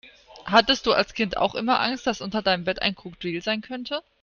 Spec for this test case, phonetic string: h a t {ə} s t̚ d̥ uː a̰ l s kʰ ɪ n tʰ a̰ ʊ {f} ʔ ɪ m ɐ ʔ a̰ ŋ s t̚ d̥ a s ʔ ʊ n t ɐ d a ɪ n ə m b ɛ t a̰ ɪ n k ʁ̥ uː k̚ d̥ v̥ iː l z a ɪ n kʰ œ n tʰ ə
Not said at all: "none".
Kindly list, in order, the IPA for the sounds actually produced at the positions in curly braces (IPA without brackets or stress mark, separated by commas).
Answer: ə, x